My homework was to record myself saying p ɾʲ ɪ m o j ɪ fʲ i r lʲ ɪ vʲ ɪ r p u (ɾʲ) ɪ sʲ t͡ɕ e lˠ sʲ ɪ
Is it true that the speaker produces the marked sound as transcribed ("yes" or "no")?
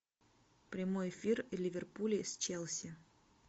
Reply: no